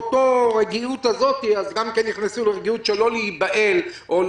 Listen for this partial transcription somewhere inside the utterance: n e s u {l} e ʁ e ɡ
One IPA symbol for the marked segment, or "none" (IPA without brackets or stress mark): l